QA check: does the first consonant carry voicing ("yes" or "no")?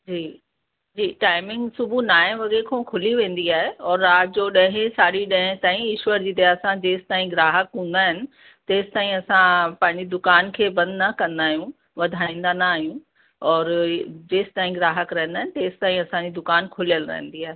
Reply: yes